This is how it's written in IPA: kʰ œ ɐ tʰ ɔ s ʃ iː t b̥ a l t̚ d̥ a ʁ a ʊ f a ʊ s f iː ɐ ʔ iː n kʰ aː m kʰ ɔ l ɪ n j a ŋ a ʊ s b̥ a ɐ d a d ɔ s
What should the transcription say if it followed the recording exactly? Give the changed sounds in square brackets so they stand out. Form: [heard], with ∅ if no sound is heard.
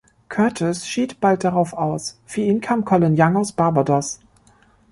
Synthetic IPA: kʰ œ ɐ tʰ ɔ s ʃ iː t b̥ a l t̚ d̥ a ʁ a ʊ f a ʊ s f [yː] ɐ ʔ iː n kʰ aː m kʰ ɔ l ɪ n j a ŋ a ʊ s b̥ a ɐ [b] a d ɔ s